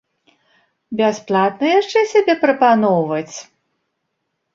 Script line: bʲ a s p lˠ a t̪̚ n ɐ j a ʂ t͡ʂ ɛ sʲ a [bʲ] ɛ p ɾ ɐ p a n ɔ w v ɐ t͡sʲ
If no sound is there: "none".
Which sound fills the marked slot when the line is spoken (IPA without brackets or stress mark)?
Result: bʲ